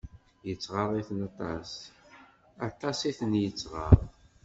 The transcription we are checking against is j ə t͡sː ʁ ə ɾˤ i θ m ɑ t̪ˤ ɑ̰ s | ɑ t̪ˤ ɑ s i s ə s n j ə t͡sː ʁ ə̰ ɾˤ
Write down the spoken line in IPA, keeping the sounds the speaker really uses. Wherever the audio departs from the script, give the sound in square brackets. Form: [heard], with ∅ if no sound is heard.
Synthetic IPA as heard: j ə t͡sː ʁ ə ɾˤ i θ [n] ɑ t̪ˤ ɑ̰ s | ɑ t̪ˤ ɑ s i [θ] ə [∅] n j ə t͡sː ʁ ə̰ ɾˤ